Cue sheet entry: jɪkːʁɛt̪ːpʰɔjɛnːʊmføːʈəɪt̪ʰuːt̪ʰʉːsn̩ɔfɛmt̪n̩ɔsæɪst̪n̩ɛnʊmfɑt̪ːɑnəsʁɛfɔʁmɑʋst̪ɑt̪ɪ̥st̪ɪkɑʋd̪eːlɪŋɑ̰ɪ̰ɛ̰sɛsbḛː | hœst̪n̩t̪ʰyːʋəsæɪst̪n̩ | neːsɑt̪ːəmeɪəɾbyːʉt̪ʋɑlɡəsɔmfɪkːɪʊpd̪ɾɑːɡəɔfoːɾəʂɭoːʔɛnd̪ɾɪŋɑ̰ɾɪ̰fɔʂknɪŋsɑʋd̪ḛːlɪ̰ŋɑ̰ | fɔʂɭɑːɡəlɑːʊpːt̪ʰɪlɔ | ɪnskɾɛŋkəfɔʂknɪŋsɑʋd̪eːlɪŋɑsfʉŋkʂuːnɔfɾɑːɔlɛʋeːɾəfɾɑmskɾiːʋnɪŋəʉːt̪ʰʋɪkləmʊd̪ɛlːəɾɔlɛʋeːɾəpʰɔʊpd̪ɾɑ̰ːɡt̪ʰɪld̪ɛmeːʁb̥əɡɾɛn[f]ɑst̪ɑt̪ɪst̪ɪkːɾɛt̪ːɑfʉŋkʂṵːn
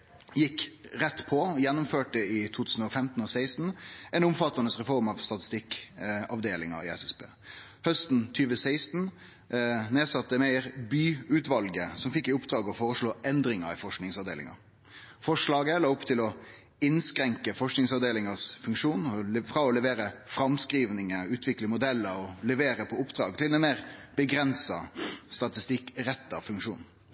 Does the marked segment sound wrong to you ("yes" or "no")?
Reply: yes